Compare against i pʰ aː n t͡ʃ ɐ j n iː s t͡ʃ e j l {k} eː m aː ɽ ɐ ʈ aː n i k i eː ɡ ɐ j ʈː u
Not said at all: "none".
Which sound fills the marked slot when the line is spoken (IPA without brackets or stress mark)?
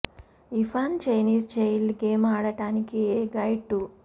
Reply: ɡ